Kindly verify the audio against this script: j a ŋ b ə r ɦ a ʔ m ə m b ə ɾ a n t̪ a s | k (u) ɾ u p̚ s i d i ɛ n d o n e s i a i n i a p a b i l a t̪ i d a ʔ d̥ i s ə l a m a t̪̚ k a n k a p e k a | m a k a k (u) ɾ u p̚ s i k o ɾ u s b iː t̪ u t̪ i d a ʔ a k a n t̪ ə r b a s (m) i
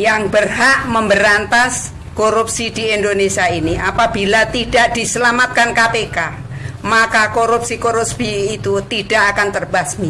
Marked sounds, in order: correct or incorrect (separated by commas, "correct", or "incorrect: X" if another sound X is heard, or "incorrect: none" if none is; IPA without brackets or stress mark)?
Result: incorrect: o, incorrect: o, correct